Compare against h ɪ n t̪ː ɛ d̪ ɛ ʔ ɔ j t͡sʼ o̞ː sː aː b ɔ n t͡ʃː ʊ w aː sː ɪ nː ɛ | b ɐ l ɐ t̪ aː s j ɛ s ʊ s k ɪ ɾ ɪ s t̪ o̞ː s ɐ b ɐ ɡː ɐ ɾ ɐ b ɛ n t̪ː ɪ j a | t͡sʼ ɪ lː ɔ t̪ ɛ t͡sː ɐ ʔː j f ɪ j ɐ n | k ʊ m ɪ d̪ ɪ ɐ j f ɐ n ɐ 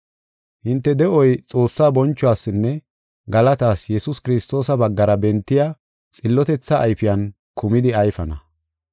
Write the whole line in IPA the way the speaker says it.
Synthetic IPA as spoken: h ɪ n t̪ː ɛ d̪ ɛ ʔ ɔ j t͡sʼ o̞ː sː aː b ɔ n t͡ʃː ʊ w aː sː ɪ nː ɛ | ɡ ɐ l ɐ t̪ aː s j ɛ s ʊ s k ɪ ɾ ɪ s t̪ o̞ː s ɐ b ɐ ɡː ɐ ɾ ɐ b ɛ n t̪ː ɪ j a | t͡sʼ ɪ lː ɔ t̪ ɛ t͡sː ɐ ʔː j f ɪ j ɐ n | k ʊ m ɪ d̪ ɪ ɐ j f ɐ n ɐ